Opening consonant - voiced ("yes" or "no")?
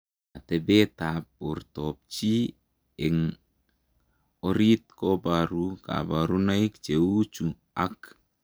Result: no